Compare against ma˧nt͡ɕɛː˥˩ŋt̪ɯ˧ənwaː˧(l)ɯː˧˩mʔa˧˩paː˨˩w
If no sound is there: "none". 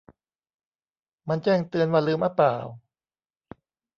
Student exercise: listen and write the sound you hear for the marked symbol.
l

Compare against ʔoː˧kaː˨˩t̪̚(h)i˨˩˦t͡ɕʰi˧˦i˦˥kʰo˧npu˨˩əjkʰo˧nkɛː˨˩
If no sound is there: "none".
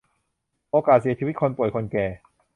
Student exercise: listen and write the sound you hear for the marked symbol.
s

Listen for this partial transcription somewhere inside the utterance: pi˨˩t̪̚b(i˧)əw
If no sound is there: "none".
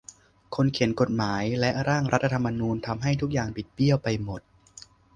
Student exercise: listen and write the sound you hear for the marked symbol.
i˥˩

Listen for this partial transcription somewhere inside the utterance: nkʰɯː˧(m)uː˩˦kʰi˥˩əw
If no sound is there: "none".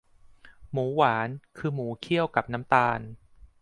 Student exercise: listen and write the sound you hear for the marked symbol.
m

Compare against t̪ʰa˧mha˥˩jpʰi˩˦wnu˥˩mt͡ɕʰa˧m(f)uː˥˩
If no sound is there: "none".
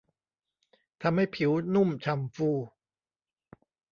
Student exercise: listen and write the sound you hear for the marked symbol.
f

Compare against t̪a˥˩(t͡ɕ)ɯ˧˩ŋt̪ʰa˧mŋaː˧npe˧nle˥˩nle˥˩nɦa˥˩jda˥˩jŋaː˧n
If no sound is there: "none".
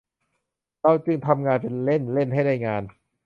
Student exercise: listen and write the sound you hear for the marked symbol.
t͡ɕ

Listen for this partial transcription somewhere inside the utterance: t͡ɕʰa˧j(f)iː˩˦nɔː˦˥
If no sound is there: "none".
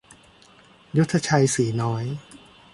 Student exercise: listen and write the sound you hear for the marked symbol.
s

